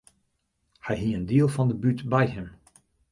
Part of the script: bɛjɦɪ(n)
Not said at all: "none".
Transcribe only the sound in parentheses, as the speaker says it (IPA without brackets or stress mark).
m